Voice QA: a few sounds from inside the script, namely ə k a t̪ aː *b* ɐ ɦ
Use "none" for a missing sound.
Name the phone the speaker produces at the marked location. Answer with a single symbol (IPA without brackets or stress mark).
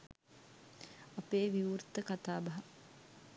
b